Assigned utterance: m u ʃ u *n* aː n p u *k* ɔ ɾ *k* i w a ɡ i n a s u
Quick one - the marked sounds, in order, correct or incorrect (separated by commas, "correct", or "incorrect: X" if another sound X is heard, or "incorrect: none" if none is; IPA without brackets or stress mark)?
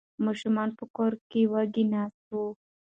incorrect: m, correct, correct